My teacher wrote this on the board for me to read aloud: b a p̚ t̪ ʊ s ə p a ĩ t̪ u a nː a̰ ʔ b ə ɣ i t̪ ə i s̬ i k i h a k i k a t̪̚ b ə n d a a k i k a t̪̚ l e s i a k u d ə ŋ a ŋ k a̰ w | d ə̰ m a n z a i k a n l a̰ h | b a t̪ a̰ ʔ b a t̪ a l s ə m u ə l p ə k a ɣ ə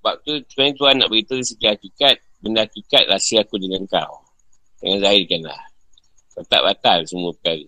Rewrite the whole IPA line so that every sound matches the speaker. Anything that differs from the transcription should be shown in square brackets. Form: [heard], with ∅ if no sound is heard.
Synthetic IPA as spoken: b a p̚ t̪ [u] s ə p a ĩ t̪ u a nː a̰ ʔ b ə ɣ i t̪ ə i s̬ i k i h a k i k a t̪̚ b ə n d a a k i k a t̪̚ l [a] s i a k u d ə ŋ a ŋ k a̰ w | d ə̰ [ŋ] a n z a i k a n l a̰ h | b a t̪ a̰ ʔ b a t̪ a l s ə m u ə [∅] p ə k a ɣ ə